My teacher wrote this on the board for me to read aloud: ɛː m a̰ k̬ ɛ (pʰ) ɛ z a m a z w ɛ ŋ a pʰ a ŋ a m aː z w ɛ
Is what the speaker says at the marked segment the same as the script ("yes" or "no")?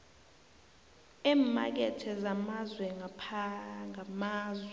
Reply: no